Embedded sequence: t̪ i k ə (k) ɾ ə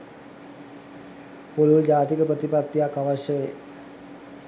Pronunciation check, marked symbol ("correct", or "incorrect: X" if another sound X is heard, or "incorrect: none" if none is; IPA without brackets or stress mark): incorrect: p